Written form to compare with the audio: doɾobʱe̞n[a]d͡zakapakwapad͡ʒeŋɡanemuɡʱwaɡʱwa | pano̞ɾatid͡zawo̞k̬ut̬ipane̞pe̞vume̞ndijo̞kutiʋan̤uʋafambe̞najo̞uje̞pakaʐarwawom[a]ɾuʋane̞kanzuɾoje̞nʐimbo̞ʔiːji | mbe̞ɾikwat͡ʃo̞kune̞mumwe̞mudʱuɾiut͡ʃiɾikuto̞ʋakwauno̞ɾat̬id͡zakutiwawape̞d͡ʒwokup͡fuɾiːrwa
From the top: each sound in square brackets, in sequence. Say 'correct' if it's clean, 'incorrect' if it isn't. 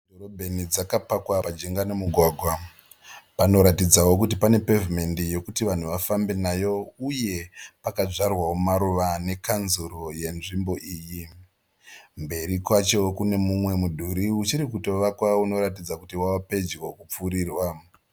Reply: incorrect, correct

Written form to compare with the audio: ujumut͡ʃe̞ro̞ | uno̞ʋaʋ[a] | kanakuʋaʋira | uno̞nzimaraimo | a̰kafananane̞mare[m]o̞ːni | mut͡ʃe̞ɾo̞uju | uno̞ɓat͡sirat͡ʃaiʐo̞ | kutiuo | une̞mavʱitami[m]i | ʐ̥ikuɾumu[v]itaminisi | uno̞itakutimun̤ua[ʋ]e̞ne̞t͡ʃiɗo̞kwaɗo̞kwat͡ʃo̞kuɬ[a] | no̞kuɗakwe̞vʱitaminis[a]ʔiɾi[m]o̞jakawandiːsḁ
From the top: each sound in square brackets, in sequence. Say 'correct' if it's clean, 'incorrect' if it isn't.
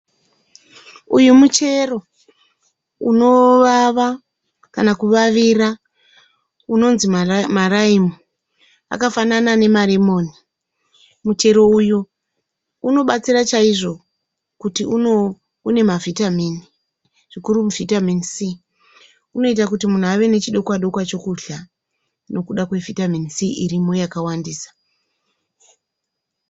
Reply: correct, correct, incorrect, correct, correct, correct, incorrect, correct

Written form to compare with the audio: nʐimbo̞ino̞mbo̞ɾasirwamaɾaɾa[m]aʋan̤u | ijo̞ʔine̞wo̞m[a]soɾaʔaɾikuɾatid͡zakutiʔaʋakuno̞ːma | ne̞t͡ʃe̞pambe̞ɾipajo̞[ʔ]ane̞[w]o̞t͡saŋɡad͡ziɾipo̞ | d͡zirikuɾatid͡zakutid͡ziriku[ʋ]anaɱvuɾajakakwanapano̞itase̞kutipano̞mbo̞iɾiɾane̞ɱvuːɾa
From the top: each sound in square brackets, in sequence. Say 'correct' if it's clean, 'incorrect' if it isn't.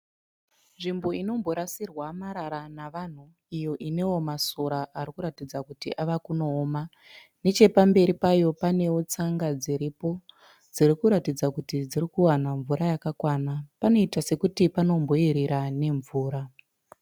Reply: incorrect, correct, incorrect, correct, incorrect

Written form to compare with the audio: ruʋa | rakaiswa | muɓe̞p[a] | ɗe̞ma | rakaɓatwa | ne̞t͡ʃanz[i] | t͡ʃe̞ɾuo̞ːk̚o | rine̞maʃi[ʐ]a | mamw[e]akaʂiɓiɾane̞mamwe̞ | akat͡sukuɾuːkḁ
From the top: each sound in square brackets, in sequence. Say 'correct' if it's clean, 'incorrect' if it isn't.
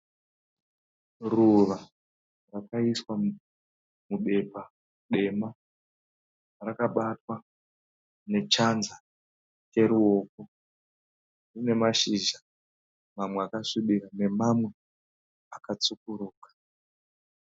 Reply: correct, incorrect, incorrect, correct

